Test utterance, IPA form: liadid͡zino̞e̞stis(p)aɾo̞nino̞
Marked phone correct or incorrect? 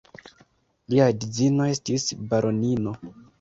incorrect: b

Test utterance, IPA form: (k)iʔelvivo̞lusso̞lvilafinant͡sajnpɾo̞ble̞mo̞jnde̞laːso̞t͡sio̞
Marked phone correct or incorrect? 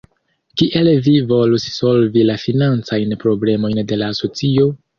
correct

